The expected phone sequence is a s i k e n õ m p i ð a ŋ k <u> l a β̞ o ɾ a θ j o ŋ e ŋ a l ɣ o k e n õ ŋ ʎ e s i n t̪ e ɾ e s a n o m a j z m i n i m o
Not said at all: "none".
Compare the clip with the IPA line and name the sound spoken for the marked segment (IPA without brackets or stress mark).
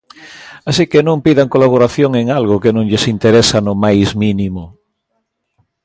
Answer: o